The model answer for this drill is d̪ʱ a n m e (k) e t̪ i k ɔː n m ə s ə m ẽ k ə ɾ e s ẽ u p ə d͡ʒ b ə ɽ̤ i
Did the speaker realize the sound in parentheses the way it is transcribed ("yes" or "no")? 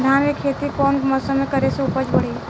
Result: no